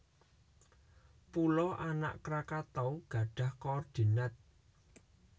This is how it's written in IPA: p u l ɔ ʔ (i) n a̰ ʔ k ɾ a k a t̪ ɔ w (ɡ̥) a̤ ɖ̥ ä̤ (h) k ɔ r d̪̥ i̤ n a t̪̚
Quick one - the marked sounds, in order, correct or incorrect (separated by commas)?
incorrect, correct, correct